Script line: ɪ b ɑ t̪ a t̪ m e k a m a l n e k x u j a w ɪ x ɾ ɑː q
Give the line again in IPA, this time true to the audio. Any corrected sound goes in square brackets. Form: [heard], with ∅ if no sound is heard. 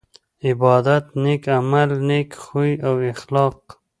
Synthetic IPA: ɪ b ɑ [d̪] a t̪ [n] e k a m a l n e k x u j a w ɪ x [l] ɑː q

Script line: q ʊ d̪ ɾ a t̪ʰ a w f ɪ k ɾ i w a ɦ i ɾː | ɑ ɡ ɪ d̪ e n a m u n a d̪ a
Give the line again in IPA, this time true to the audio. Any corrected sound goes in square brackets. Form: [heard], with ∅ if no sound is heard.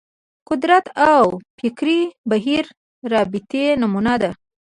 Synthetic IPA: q ʊ d̪ ɾ a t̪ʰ a w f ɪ k ɾ i [b] a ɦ i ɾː | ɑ [b] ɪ [t̪] e n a m u n a d̪ a

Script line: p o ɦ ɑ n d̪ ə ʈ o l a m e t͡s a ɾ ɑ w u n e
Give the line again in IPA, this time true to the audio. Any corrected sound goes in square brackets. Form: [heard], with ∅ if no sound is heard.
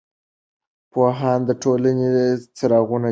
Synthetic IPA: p o ɦ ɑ n d̪ ə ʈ o l a [n] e t͡s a ɾ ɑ [ɣ] u n [a]

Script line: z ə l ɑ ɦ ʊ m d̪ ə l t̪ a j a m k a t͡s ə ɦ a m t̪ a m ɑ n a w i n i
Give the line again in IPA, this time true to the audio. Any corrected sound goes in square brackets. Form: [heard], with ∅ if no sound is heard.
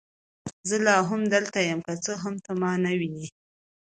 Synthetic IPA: z ə l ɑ ɦ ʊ m d̪ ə l t̪ a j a m k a t͡s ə ɦ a m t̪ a m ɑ n a w i n i

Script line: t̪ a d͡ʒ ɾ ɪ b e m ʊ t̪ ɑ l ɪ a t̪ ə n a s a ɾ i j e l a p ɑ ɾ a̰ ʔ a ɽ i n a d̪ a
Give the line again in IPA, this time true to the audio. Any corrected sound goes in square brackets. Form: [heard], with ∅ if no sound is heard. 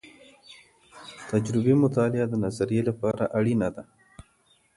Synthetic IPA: t̪ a d͡ʒ ɾ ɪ b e m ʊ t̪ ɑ l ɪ a [d̪] ə n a [z] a ɾ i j e l a p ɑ ɾ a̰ ʔ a ɽ i n a d̪ a

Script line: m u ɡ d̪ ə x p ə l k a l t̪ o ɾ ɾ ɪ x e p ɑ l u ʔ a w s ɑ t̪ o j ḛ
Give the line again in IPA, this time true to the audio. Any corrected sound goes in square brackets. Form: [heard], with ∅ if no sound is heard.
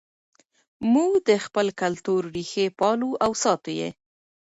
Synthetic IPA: m u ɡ d̪ ə x p ə l k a l t̪ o ɾ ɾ [i] x e p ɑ l u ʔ a w s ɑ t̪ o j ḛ

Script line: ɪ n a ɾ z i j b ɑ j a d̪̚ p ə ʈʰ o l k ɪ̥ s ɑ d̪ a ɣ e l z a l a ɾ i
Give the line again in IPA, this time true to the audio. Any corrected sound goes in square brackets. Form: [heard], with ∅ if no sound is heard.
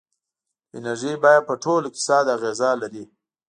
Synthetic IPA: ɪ n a ɾ [ʒ] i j b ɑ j a d̪̚ p ə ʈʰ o l k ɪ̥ s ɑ d̪ a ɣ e [∅] z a l a ɾ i

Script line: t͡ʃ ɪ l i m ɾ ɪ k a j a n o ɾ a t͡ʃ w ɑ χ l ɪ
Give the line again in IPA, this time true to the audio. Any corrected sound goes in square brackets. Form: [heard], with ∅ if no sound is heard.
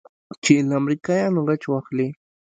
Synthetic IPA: t͡ʃ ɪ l [a] m ɾ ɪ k a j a n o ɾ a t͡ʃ w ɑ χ l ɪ

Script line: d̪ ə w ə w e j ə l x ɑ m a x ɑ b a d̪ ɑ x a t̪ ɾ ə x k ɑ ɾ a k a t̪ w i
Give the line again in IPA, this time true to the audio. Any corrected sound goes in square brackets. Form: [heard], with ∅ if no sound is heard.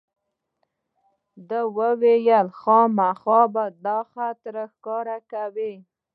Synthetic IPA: d̪ ə w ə w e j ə l x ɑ m a x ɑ b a d̪ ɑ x a t̪ ɾ ə x k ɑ ɾ a k a [∅] w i

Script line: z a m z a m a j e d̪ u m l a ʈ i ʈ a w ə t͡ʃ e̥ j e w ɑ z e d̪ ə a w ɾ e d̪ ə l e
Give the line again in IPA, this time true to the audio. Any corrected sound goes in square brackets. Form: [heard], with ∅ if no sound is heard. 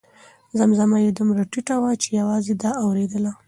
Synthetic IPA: z a m z a m a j e d̪ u m [ɾ] a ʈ i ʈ a w [a] t͡ʃ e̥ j [a] w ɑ z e d̪ [ɑ] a w ɾ e d̪ ə l [a]

